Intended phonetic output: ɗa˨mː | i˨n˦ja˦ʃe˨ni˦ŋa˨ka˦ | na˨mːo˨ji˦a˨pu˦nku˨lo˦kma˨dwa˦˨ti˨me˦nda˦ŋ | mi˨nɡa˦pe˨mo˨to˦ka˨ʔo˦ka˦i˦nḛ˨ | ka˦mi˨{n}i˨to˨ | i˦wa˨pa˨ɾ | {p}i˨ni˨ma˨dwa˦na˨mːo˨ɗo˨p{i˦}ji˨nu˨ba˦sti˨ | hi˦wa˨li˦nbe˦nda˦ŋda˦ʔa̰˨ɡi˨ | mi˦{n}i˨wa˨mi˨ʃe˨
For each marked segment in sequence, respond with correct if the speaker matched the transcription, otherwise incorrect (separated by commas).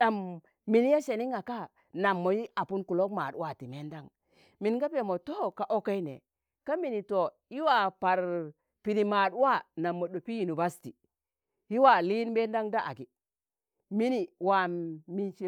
correct, correct, correct, correct